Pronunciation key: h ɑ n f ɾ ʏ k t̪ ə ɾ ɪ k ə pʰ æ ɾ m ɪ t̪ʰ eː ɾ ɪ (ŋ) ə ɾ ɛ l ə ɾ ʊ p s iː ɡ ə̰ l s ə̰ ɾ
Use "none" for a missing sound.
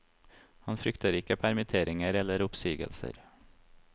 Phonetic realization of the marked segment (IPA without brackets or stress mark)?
ŋ